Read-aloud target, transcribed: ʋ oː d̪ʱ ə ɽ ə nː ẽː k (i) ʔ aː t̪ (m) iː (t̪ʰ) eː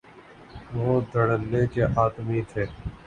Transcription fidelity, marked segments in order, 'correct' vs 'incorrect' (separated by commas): incorrect, correct, correct